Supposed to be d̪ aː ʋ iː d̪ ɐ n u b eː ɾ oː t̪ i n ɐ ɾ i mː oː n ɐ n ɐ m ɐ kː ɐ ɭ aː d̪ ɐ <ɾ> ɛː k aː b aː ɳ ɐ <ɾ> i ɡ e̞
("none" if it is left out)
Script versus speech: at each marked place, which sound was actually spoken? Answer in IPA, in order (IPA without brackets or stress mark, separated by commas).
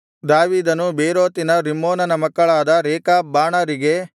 ɾ, ɾ